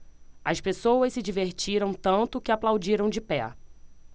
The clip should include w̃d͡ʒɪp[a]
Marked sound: incorrect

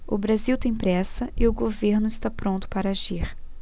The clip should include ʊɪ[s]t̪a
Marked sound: correct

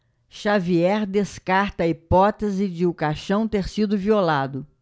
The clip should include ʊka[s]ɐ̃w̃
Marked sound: incorrect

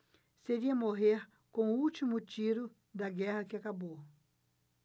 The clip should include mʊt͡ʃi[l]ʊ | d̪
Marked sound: incorrect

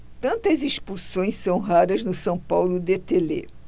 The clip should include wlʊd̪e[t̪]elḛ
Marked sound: correct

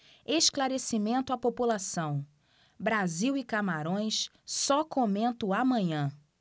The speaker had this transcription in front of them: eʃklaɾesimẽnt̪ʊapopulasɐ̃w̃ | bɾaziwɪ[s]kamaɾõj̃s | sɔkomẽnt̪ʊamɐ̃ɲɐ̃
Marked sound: incorrect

